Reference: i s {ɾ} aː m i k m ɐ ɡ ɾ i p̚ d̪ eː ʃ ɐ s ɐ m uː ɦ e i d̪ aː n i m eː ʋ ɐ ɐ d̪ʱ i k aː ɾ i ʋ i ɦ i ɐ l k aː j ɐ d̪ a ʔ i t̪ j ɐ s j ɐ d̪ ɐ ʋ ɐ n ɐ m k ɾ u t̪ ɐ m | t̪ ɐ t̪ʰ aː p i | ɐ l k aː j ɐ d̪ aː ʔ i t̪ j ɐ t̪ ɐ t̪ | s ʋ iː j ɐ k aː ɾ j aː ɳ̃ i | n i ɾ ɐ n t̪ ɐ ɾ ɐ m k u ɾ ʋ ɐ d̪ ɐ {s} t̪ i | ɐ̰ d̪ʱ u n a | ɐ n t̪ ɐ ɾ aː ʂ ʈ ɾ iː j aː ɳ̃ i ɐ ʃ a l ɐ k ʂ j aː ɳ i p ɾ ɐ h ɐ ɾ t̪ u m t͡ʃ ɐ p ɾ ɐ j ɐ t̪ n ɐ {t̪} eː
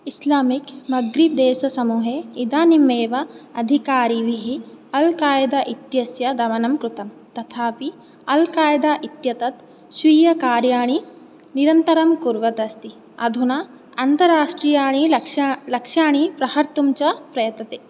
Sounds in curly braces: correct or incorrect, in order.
incorrect, correct, correct

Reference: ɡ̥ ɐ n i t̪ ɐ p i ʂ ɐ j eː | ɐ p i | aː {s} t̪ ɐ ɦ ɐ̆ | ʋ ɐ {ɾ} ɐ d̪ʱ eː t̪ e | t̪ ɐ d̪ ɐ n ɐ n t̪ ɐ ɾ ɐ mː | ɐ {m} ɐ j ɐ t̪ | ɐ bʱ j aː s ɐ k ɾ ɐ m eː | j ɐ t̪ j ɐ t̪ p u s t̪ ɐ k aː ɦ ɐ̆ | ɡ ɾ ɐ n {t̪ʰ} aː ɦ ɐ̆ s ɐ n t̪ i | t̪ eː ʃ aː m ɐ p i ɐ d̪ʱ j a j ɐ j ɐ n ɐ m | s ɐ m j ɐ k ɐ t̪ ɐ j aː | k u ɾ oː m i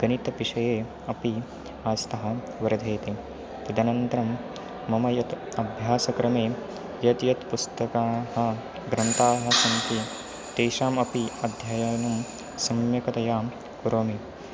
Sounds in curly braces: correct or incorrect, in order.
correct, correct, correct, incorrect

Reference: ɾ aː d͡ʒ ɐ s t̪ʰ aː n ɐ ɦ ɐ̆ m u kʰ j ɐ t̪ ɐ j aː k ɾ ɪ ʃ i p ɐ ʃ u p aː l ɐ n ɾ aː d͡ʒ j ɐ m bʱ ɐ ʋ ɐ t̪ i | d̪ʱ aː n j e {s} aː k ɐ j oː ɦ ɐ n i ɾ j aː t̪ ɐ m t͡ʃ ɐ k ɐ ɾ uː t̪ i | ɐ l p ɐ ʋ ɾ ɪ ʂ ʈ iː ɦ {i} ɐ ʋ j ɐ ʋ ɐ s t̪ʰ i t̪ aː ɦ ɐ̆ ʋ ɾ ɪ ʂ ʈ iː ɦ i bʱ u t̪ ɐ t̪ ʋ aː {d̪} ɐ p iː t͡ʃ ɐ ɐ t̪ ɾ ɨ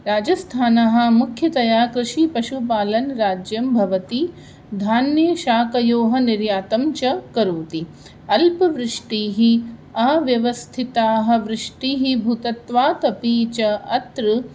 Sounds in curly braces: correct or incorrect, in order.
incorrect, correct, incorrect

